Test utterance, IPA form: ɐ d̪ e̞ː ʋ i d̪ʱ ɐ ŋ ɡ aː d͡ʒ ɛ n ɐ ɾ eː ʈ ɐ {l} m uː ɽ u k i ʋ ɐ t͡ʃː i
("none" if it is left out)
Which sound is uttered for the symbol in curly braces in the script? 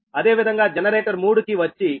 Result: ɾ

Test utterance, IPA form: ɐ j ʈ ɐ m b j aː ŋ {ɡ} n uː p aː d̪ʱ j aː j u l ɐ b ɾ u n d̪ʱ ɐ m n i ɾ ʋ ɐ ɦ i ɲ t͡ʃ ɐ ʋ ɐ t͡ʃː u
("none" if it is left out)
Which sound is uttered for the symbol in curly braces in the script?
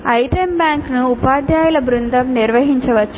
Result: k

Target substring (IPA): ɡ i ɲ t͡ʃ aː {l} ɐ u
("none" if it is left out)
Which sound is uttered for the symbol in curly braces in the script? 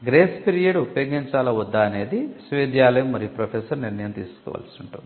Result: l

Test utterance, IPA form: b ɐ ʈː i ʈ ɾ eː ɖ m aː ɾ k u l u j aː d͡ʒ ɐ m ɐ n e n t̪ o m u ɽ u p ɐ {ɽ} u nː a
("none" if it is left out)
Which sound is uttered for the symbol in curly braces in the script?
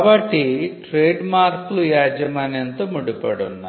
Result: ɽ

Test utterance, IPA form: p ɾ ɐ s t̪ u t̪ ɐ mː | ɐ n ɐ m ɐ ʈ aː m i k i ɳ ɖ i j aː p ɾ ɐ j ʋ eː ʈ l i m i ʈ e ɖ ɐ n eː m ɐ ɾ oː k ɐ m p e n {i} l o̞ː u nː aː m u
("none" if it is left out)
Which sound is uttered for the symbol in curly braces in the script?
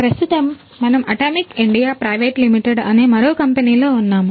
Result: iː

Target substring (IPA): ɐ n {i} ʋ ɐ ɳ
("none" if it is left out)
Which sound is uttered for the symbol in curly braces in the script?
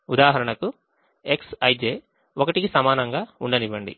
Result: i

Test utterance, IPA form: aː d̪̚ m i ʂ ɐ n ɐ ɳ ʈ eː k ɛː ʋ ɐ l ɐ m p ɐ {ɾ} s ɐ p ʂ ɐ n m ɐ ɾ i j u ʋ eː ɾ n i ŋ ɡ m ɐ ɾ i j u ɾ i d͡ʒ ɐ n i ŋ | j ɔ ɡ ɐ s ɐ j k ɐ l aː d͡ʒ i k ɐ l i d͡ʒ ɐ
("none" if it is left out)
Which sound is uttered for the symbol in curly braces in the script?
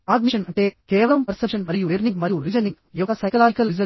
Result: ɾ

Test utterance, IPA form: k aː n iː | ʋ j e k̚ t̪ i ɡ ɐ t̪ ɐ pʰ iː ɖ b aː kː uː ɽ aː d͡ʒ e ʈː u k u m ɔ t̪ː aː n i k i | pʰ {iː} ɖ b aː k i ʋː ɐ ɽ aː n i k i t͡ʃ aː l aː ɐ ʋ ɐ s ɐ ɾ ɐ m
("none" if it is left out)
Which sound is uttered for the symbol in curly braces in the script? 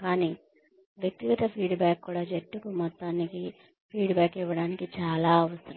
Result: iː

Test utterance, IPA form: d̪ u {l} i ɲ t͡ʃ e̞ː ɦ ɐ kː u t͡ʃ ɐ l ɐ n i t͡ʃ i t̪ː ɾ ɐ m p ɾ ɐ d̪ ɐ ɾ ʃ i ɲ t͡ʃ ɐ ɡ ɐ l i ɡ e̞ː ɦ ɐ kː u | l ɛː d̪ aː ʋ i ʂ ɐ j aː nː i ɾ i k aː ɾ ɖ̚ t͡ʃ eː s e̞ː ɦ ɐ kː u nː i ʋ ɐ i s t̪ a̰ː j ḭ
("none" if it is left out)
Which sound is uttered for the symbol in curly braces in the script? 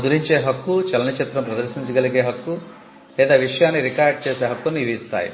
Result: ɾ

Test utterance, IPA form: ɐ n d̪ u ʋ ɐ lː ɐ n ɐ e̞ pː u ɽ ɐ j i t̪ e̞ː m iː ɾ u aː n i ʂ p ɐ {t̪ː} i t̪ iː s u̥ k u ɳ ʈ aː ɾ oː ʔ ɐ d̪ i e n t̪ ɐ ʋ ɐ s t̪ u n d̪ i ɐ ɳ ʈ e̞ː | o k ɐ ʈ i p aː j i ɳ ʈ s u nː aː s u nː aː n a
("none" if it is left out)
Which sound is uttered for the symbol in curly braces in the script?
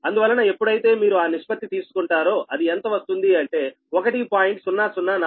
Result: t̪ː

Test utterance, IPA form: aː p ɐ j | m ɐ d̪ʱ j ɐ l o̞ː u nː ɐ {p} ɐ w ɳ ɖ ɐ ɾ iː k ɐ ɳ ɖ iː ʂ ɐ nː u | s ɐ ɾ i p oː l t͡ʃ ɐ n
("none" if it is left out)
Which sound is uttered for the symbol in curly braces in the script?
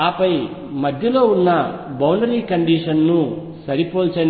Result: b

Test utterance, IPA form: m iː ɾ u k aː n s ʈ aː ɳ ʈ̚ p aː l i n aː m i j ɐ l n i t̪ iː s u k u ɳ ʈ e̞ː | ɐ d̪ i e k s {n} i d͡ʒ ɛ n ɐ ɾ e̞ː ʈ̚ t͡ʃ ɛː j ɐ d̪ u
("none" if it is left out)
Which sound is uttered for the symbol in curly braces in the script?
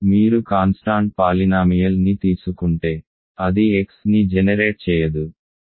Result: n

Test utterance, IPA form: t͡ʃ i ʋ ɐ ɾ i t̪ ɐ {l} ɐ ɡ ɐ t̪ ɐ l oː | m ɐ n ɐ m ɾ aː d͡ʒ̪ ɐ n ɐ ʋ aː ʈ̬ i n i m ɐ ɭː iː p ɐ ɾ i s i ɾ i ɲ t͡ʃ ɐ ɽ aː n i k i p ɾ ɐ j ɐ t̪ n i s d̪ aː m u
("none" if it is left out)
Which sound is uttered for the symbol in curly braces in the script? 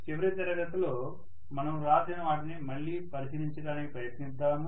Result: ɾ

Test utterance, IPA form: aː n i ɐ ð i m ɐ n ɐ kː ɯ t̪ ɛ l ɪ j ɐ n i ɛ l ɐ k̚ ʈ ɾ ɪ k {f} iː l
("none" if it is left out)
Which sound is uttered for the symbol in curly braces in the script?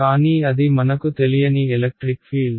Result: f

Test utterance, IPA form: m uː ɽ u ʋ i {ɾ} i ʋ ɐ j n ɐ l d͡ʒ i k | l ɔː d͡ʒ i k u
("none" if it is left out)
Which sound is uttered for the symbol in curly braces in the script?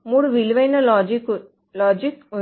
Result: l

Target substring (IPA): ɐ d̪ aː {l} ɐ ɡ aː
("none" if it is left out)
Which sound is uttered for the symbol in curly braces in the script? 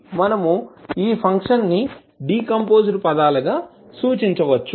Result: l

